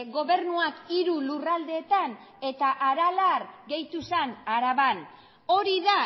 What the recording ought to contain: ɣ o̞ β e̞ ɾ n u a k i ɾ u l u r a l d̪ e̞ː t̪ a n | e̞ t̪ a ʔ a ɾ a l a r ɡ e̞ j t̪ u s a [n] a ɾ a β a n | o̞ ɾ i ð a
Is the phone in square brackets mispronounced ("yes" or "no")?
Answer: no